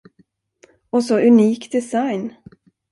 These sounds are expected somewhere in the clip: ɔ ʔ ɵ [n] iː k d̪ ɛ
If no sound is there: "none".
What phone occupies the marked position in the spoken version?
n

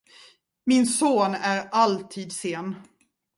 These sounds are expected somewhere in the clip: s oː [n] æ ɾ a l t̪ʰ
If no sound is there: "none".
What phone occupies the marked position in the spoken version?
n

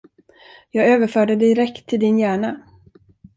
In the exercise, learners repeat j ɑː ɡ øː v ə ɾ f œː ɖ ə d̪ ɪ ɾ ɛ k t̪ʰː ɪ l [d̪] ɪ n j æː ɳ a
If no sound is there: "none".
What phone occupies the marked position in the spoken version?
d̪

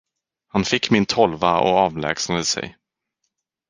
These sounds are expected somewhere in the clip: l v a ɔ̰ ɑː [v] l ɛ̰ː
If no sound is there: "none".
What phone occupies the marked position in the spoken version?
v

